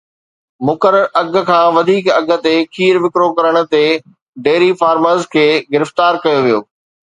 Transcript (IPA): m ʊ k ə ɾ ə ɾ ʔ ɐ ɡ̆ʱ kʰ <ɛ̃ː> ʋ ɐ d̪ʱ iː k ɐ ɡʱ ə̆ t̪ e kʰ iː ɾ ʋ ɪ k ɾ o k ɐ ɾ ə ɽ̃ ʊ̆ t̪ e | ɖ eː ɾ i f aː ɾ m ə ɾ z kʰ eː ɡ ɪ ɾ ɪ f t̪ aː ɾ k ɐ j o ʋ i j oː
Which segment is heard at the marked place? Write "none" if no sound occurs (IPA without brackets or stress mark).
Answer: ãː